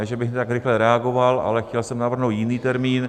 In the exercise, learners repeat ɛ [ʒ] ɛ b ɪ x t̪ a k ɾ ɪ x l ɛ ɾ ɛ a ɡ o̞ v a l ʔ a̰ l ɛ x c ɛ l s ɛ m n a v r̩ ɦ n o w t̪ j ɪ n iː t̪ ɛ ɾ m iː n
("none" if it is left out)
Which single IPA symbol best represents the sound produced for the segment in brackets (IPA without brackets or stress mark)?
ʒ